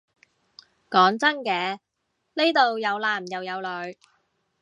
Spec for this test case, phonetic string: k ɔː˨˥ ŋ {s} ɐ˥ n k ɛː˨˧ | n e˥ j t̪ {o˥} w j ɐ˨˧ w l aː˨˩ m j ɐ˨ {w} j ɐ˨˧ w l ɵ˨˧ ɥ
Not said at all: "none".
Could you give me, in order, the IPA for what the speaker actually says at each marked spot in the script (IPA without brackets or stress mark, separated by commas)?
t͡s, o˨, w